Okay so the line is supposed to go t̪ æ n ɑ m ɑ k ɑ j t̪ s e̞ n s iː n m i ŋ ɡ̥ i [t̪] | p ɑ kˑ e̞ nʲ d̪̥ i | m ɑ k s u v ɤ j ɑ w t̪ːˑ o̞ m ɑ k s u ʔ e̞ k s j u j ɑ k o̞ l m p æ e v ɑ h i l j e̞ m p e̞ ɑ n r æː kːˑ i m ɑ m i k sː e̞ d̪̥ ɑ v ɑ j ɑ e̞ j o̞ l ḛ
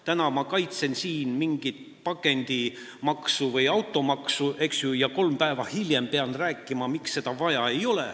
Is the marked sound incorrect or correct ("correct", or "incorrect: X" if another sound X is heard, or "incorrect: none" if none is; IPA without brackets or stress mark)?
correct